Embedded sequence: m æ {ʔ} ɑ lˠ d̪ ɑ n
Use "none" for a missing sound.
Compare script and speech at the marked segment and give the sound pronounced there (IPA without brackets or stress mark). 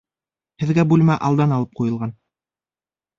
ʔ